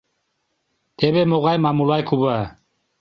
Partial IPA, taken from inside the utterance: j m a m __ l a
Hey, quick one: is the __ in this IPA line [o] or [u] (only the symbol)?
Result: u